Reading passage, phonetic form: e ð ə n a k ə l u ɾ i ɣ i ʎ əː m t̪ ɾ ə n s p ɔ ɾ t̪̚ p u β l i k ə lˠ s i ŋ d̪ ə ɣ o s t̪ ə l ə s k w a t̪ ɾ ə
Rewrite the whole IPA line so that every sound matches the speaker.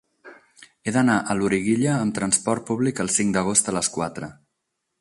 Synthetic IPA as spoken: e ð ə n a ʔ ə l u ɾ i ɣ i ʎ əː m t̪ ɾ ə n s p ɔ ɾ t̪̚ p u β l i k ə lˠ s i ŋ d̪ ə ɣ o s t̪ ə l ə s k w a t̪ ɾ ə